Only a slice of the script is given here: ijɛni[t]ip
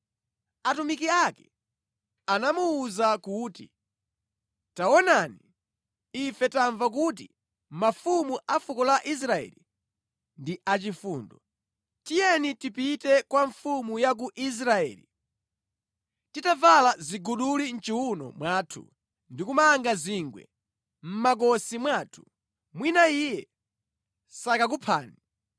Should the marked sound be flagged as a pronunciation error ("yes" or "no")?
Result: no